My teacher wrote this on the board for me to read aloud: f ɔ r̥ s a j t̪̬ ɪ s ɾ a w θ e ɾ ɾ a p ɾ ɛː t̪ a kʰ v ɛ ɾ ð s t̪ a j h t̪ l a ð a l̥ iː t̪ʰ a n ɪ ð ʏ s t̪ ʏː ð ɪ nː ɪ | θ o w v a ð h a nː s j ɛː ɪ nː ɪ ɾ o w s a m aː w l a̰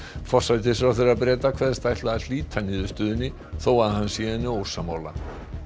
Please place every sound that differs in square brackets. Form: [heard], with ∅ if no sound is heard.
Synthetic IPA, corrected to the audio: f ɔ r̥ s a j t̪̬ ɪ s ɾ a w θ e ɾ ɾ a p ɾ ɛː t̪ a kʰ v ɛ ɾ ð s t̪ a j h t̪ l a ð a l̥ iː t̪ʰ a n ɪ ð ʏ s t̪ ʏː ð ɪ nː ɪ | θ o w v a ð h a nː s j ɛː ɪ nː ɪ [∅] o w s a m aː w l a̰